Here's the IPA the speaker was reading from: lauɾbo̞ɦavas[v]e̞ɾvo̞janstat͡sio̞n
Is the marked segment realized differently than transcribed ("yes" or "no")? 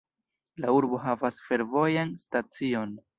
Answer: yes